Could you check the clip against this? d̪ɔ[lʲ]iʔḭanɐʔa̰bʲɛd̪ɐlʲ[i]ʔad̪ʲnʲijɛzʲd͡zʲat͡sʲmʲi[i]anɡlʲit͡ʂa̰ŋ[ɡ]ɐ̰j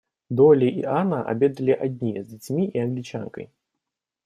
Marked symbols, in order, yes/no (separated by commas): yes, yes, yes, no